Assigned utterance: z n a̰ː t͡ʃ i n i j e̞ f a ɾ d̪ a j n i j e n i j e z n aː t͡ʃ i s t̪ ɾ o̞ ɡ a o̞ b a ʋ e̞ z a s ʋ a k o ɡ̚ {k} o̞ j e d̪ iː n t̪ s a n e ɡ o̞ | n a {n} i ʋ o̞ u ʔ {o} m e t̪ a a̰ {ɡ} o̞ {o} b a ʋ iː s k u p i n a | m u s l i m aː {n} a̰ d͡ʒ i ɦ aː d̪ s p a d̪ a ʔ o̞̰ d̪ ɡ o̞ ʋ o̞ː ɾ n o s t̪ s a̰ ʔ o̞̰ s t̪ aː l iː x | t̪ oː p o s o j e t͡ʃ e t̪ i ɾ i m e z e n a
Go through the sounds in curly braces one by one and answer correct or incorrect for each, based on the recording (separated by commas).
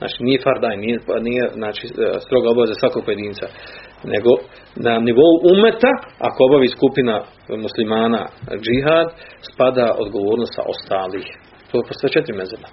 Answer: incorrect, correct, incorrect, incorrect, correct, correct